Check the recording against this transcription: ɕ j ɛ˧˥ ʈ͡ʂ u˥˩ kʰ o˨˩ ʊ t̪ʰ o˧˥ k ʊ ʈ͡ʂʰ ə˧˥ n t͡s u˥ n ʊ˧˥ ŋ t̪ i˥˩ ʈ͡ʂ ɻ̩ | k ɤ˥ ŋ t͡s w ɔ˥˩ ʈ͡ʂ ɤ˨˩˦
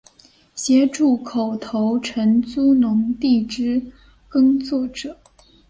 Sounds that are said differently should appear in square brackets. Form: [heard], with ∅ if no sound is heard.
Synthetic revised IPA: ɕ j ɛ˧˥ ʈ͡ʂ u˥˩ kʰ o˨˩ ʊ t̪ʰ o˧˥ [∅] ʊ ʈ͡ʂʰ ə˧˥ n t͡s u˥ n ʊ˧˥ ŋ t̪ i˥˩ ʈ͡ʂ ɻ̩ | k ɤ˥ ŋ t͡s w ɔ˥˩ ʈ͡ʂ ɤ˨˩˦